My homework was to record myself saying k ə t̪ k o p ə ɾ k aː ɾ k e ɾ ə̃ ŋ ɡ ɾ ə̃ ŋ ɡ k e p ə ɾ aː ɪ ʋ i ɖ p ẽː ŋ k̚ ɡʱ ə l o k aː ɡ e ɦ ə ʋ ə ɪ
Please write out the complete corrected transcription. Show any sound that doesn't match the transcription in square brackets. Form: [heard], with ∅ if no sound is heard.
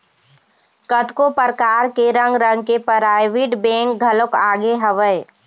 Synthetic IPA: k ə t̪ k o p ə ɾ k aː ɾ k e ɾ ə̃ ŋ ɡ ɾ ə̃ ŋ ɡ k e p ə ɾ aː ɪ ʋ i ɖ [b] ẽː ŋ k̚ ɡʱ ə l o k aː ɡ e ɦ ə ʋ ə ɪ